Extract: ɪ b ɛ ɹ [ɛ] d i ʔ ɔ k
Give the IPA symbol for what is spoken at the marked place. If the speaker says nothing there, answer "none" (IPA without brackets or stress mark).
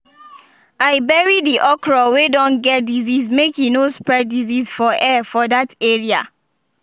i